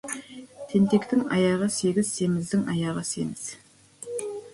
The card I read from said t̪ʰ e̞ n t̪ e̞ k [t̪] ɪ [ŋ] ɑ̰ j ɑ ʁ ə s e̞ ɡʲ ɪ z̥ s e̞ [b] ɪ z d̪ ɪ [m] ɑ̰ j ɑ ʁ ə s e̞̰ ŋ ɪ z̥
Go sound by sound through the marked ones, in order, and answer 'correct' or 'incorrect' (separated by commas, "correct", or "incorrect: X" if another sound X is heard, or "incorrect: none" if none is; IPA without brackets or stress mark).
correct, correct, incorrect: m, incorrect: ŋ